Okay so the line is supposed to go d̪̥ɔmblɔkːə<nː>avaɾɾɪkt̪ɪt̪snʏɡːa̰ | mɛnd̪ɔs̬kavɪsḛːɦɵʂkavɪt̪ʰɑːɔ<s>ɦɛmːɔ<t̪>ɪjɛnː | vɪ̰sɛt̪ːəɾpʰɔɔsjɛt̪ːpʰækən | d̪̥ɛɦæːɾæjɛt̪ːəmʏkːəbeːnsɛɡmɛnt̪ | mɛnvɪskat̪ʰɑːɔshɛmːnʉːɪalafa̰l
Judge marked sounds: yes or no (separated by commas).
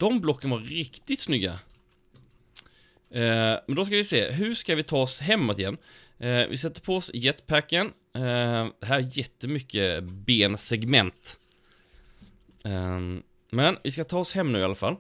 no, yes, yes